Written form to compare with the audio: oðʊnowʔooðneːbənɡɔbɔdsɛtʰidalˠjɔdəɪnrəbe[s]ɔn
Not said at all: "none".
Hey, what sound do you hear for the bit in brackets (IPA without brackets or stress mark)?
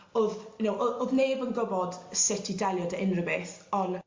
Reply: θ